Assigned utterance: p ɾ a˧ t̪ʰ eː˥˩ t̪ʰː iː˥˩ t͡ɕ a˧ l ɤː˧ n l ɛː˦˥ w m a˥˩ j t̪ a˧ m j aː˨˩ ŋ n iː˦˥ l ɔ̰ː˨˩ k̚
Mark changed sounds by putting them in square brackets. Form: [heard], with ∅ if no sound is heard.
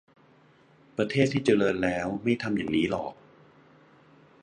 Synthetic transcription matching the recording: p ɾ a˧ t̪ʰ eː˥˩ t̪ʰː iː˥˩ t͡ɕ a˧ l ɤː˧ n l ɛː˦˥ w m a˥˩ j [t̪ʰ] a˧ m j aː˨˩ ŋ n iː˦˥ l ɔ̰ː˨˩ k̚